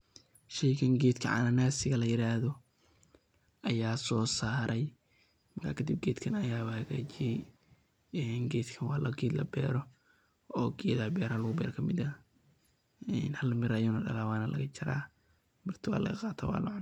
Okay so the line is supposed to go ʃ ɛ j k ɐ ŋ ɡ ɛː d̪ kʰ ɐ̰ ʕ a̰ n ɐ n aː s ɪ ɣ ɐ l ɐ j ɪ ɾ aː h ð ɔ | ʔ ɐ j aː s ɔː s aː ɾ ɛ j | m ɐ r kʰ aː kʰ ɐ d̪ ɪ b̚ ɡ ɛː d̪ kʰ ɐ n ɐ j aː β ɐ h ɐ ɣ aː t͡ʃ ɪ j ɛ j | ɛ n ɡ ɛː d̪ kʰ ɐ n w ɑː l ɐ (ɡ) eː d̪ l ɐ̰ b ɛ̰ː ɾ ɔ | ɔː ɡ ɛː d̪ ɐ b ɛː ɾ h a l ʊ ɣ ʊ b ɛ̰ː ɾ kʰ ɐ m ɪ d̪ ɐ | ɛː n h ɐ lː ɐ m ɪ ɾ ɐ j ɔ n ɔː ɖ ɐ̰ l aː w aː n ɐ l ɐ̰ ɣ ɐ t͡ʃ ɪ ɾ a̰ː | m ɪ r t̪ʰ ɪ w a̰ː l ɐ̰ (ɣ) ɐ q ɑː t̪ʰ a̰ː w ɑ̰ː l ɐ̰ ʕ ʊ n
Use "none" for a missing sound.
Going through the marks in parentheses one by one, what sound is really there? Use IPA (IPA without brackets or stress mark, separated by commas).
ɡ, ɣ